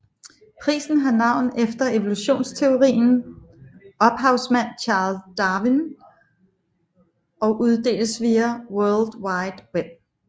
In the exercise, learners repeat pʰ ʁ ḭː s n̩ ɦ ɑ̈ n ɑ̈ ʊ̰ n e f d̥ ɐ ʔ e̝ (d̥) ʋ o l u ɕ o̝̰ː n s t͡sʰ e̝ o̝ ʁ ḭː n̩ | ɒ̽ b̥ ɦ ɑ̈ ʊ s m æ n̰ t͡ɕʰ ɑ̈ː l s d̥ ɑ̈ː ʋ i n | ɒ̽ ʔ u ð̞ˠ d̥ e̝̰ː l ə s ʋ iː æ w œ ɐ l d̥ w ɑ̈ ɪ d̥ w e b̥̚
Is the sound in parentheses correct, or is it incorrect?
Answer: incorrect